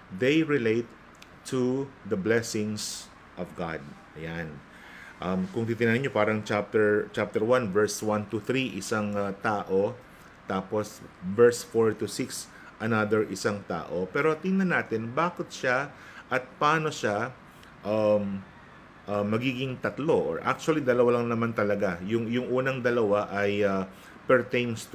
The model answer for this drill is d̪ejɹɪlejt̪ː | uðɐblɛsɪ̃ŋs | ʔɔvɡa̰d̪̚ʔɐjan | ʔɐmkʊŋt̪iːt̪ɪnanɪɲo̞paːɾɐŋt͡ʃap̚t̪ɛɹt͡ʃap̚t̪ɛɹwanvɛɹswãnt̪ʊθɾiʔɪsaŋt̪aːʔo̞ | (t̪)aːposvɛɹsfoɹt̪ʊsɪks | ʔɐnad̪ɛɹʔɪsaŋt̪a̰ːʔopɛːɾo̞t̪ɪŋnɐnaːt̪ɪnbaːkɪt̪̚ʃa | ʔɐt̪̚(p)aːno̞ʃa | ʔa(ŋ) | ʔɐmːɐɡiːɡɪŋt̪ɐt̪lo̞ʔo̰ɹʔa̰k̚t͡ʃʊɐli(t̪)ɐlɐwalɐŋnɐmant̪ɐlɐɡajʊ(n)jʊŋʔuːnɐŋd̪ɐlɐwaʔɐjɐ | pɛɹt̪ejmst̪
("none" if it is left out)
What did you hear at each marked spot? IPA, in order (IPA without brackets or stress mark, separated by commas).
t̪, p, m, d̪, ŋ